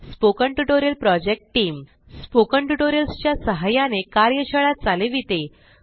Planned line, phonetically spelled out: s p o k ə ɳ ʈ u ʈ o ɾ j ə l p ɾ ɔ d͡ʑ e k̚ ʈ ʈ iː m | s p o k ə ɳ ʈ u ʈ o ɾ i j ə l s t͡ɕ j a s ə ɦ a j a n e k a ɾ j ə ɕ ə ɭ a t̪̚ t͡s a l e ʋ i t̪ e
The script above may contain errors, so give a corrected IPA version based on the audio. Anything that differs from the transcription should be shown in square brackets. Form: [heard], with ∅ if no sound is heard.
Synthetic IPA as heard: s p o k ə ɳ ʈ u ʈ o ɾ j ə l p ɾ ɔ d͡ʑ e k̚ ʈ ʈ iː m | s p o k ə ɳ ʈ u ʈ o ɾ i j ə l s t͡ɕ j a s ə ɦ a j a n e k a ɾ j ə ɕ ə ɭ a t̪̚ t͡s a l e ʋ i t̪ e